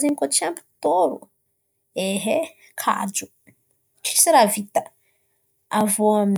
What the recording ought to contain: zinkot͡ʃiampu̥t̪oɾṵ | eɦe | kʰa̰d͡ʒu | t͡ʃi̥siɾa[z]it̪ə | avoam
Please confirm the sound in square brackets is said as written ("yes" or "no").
no